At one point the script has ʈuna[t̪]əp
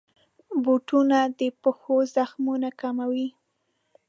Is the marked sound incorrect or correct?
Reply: incorrect